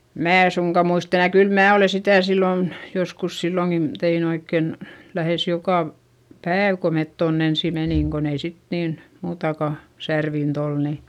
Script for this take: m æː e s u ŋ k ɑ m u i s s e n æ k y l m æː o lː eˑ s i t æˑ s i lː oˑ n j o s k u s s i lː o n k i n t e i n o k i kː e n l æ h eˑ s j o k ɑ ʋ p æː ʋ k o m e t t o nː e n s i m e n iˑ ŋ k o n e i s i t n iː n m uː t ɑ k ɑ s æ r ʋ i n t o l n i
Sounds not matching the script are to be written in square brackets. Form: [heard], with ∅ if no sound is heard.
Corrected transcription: m æː e s u ŋ k ɑ m u i s [t] e n æ k y l m æː o [l] eˑ s i t æˑ s i lː oˑ n j o s k u s s i lː o [ŋ] k i n t e i n o [∅] i kː e n l æ h eˑ s j o k ɑ ʋ p æː ʋ k o m e t t o nː e n s i m e n iˑ ŋ k o n e i s i t n iː n m uː t ɑ k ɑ s æ r ʋ i n t o l n i